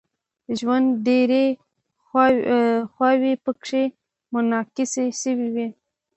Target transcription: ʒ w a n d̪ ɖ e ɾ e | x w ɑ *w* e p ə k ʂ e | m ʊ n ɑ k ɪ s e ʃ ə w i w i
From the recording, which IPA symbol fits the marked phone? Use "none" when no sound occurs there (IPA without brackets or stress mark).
w